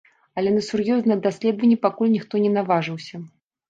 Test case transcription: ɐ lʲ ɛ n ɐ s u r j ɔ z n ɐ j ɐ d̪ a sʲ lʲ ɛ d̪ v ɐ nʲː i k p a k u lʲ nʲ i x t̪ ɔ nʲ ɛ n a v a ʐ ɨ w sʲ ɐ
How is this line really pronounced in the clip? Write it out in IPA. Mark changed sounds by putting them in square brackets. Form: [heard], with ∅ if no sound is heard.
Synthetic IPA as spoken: ɐ lʲ ɛ n ɐ s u r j ɔ z n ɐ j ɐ d̪ a sʲ lʲ ɛ d̪ v ɐ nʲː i [∅] p a k u lʲ nʲ i x t̪ ɔ nʲ ɛ n a v a ʐ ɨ w sʲ ɐ